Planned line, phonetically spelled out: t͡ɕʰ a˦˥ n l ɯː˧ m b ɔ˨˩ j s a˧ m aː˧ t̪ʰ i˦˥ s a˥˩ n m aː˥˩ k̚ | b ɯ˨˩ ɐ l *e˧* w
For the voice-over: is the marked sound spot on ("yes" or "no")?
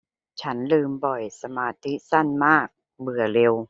yes